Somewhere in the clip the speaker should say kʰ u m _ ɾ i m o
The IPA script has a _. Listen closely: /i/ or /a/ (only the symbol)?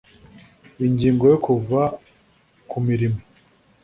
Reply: i